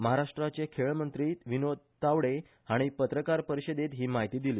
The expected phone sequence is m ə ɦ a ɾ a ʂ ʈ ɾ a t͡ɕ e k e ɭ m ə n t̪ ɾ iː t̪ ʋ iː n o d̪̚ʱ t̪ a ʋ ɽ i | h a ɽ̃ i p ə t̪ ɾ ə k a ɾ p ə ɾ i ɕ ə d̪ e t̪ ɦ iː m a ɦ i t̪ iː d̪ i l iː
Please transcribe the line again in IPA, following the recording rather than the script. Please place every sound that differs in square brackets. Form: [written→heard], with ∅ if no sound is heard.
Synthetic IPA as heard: m ə ɦ a ɾ a ʂ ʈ ɾ a t͡ɕ e [k→kʰ] e ɭ m ə n t̪ ɾ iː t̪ ʋ [iː→i] n o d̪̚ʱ t̪ a ʋ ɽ [i→e] | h a ɽ̃ i p ə t̪ ɾ ə k a ɾ p ə ɾ i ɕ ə d̪ e t̪ ɦ iː m a ɦ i t̪ iː d̪ i l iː